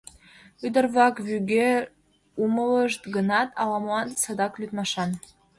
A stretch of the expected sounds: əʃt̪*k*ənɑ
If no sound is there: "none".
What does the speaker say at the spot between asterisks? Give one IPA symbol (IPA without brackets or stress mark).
ɡ